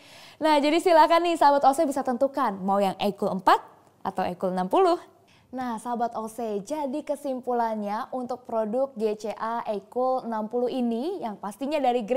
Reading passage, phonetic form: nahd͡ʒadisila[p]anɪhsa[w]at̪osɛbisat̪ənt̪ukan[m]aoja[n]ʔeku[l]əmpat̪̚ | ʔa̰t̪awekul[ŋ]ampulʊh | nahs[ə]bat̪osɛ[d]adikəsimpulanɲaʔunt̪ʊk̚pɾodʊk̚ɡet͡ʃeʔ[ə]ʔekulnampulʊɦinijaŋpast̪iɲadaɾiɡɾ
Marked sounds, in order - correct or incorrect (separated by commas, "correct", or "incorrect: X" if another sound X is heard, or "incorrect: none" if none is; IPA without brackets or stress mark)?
incorrect: k, incorrect: b, correct, incorrect: ŋ, correct, incorrect: n, incorrect: a, incorrect: d͡ʒ, incorrect: a